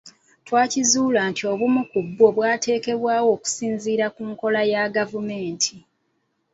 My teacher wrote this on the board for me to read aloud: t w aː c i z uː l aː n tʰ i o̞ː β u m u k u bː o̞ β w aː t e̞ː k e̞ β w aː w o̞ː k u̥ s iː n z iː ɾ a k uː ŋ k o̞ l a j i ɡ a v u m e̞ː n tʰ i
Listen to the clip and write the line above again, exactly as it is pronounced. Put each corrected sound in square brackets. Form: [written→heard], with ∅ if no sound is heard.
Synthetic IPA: t w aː c i z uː l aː n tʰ i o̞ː β u m u k u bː o̞ β w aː t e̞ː k e̞ β w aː w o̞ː k u̥ s iː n z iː ɾ a k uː ŋ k o̞ l a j [i→a] ɡ a v u m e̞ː n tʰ i